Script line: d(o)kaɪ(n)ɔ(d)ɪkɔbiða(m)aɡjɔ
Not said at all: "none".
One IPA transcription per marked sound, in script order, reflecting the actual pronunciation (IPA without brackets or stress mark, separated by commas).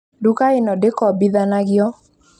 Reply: u, n, d, n